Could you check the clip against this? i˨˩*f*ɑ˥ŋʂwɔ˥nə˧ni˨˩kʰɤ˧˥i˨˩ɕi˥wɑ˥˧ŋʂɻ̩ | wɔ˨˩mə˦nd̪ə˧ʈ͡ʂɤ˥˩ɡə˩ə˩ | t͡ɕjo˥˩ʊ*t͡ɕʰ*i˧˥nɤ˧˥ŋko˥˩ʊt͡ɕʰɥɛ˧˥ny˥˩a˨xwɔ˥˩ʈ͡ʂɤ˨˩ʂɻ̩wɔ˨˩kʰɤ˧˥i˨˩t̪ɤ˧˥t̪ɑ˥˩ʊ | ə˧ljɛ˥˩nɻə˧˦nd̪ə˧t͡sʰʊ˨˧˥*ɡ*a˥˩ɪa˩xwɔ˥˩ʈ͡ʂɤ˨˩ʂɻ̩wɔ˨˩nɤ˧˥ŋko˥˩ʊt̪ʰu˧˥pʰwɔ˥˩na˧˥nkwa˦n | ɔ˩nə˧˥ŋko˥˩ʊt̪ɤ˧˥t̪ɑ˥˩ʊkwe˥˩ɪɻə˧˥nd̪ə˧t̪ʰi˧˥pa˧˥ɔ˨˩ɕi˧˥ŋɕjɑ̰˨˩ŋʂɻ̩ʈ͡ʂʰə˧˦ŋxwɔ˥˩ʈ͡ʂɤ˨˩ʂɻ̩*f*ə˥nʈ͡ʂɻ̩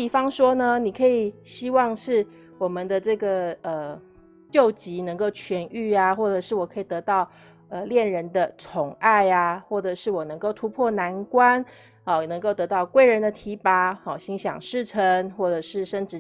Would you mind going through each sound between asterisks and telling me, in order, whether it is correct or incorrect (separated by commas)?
correct, incorrect, incorrect, incorrect